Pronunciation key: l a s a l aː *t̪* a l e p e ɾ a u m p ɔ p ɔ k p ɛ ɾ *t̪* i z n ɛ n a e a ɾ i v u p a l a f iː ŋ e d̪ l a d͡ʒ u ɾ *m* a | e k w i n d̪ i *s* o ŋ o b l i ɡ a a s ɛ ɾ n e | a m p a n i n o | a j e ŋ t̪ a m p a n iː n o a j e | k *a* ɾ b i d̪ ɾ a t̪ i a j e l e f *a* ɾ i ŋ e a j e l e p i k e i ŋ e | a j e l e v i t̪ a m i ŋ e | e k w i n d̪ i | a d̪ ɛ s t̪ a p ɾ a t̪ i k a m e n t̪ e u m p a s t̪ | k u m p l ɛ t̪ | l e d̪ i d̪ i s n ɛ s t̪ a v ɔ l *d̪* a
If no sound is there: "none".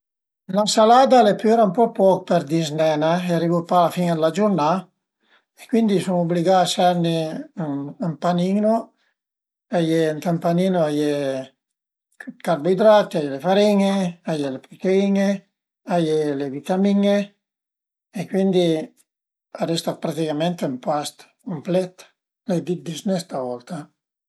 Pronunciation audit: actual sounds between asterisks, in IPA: d̪, d̪, n, s, a, a, t̪

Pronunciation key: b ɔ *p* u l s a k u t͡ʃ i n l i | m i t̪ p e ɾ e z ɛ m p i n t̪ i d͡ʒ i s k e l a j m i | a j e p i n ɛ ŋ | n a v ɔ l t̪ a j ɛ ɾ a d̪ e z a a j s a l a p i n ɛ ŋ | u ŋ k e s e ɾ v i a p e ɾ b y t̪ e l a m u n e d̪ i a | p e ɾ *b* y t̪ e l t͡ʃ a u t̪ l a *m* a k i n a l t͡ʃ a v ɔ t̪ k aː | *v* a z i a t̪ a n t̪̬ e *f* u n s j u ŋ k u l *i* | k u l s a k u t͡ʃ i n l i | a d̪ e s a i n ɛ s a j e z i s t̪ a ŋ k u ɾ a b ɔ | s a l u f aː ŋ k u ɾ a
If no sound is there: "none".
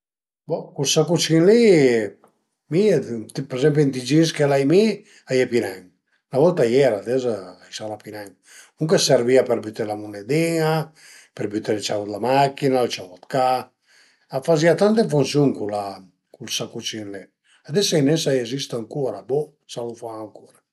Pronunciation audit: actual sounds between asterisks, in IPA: k, b, m, f, f, a

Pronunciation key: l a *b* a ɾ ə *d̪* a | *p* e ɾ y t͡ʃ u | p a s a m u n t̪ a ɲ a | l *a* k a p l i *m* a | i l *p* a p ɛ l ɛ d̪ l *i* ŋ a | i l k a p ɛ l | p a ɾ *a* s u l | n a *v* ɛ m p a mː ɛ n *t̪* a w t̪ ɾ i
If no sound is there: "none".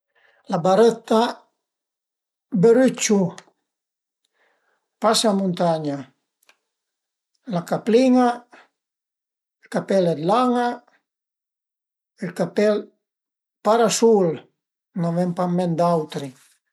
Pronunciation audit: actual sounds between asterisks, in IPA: b, t̪, b, a, ŋ, k, a, a, v, d̪

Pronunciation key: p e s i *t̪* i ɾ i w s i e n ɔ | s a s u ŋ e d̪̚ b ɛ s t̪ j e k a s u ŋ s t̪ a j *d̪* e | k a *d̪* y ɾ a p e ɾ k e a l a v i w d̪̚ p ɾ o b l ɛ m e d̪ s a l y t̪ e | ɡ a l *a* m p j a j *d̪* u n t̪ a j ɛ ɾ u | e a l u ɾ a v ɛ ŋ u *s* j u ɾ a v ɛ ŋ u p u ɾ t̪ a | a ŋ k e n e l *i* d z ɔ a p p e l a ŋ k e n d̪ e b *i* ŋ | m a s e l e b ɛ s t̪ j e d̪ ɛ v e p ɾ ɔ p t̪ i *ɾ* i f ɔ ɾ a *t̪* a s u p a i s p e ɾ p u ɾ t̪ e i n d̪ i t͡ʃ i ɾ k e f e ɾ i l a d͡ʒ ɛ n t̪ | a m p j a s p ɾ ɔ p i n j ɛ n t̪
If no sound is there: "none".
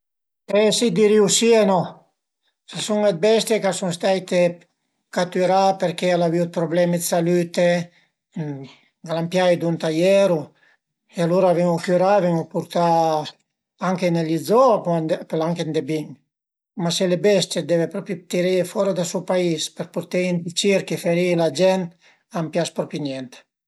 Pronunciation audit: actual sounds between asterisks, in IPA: d̪, t̪, t̪, a, d̪, f, i, i, ɾ, d̪

